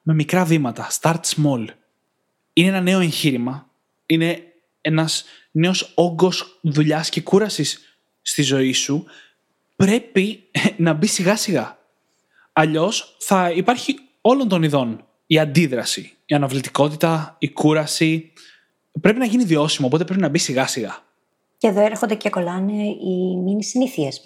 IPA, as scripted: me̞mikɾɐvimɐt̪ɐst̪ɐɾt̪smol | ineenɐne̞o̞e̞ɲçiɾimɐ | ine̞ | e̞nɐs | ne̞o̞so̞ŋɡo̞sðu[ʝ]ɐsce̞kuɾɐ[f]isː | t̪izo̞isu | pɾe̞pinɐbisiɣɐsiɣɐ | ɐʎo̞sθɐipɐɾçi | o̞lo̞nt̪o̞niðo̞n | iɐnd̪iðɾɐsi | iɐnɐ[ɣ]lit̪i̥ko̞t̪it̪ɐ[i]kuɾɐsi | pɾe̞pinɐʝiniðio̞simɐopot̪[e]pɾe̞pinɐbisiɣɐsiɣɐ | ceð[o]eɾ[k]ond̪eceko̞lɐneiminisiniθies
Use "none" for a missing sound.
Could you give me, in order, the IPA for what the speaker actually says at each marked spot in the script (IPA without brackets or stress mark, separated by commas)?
ʎ, s, v, i, e, o, x